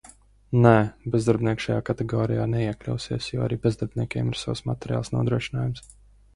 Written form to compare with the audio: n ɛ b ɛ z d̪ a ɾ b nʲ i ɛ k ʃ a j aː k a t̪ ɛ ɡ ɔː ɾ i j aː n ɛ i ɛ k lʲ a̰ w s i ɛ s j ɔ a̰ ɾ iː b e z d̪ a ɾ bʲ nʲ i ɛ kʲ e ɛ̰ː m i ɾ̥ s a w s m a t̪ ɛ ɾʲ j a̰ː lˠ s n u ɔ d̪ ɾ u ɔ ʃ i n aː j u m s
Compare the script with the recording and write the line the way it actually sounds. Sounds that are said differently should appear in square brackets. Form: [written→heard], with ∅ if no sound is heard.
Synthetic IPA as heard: n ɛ b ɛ z d̪ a ɾ b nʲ i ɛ k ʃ a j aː k a t̪ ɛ ɡ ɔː ɾ i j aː n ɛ i ɛ k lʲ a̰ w s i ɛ s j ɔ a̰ ɾ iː b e z d̪ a ɾ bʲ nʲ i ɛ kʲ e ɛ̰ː m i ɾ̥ s a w s m a t̪ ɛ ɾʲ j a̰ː lˠ s n u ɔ d̪ ɾ u ɔ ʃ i n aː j u m s